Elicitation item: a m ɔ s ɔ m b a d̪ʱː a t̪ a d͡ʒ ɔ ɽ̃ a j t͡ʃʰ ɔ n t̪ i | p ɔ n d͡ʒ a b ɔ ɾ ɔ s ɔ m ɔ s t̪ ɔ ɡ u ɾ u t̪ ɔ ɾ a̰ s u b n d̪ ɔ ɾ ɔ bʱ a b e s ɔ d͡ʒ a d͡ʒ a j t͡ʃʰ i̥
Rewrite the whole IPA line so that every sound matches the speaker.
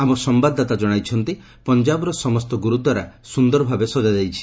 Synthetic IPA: a m ɔ s ɔ m b a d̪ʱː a t̪ a d͡ʒ ɔ ɽ̃ a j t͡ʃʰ ɔ n t̪ i | p ɔ n d͡ʒ a b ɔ ɾ ɔ s ɔ m ɔ s t̪ ɔ ɡ u ɾ u t̪ ɔ ɾ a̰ s u n d̪ ɔ ɾ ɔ bʱ a b e s ɔ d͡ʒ a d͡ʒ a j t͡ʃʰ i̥